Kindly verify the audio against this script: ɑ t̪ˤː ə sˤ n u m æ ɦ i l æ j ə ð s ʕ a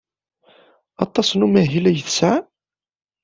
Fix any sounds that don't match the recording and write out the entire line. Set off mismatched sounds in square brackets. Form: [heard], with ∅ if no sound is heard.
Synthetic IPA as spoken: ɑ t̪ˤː [ɑ] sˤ n u m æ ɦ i l æ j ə [θ] s ʕ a